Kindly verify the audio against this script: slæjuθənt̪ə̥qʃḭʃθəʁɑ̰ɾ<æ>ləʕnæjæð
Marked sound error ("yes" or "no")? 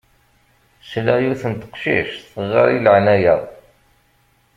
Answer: yes